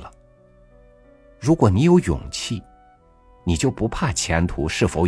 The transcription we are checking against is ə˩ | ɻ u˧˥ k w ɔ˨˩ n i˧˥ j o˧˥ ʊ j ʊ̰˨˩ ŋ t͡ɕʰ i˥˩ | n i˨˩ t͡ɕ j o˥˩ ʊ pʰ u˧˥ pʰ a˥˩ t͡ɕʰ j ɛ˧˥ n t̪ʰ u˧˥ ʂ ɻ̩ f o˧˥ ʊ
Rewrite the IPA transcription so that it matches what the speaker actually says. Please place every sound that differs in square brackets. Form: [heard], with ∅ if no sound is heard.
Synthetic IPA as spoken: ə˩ | ɻ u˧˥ k w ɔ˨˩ n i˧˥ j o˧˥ ʊ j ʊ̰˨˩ ŋ t͡ɕʰ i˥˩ | n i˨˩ t͡ɕ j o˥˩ ʊ [p] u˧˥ pʰ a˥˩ t͡ɕʰ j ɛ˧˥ n t̪ʰ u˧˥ ʂ ɻ̩ f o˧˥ ʊ